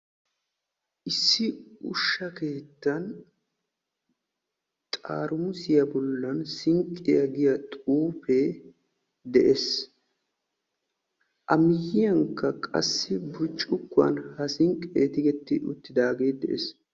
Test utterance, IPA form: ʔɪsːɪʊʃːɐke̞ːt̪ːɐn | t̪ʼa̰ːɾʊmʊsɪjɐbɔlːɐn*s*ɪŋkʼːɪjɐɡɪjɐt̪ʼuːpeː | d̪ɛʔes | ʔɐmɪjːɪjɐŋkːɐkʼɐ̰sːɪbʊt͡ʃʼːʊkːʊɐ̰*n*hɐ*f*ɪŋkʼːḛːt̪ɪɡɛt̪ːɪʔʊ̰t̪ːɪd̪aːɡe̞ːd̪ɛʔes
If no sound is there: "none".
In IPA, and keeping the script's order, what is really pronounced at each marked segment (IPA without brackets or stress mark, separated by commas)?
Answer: s, n, s